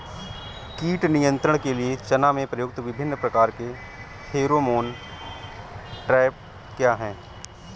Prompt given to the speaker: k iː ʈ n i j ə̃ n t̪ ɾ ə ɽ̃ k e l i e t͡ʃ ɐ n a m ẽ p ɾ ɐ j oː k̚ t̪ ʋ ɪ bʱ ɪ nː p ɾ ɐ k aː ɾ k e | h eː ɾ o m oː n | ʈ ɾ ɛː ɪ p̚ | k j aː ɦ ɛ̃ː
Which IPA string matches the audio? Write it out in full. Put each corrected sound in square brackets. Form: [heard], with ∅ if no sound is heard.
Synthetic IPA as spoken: k iː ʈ n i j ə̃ n t̪ ɾ ə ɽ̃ k e l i e t͡ʃ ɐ n a m ẽ p ɾ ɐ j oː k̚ t̪ ʋ ɪ bʱ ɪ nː p ɾ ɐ k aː ɾ k e | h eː ɾ o m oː n | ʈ ɾ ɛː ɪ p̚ | k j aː ɦ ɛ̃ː